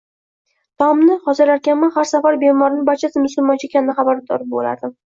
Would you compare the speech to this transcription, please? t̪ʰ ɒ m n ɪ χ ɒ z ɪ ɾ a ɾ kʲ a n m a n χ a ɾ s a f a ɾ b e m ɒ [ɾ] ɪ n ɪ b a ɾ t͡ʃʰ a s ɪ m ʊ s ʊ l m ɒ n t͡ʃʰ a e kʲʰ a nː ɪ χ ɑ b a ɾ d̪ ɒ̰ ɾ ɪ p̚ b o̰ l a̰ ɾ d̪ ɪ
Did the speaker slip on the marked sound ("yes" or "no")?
no